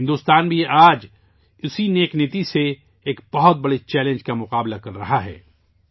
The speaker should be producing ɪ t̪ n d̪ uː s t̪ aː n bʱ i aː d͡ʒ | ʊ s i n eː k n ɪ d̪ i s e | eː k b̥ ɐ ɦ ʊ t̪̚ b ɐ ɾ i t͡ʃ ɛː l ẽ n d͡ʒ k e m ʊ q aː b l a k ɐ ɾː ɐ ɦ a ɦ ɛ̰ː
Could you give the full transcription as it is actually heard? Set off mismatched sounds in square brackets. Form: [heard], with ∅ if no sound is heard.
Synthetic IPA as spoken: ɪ [∅] n d̪ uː s t̪ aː n bʱ i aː d͡ʒ | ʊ s i n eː k n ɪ [t̪] i s e | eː k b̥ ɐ ɦ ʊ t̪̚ b ɐ [ɽ] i t͡ʃ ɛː l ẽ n d͡ʒ k [a] m ʊ q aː b l a k ɐ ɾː ɐ ɦ a ɦ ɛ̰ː